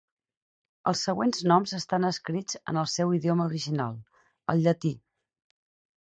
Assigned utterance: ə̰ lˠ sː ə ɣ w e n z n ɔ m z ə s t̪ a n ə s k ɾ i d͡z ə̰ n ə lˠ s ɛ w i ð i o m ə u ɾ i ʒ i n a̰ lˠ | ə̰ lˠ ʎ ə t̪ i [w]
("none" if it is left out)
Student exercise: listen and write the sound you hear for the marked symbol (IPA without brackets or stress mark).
none